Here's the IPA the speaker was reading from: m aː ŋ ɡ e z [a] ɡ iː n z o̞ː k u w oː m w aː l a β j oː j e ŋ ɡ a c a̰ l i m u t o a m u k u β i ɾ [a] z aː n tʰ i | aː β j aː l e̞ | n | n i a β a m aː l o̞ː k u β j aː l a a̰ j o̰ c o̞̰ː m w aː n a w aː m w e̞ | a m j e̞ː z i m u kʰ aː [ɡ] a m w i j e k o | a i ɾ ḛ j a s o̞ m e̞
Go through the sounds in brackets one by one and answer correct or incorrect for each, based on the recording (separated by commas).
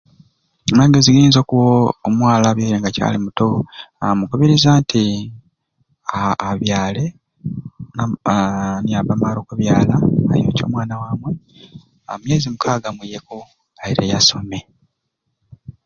incorrect, incorrect, correct